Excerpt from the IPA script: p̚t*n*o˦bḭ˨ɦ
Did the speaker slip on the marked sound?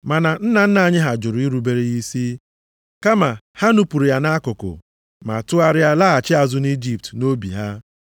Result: no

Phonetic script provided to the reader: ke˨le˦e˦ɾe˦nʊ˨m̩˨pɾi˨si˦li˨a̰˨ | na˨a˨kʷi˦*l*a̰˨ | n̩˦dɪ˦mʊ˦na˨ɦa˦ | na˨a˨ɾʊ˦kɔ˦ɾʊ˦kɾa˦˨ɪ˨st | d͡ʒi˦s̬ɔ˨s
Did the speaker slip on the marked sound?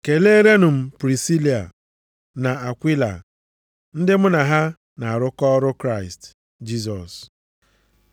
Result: no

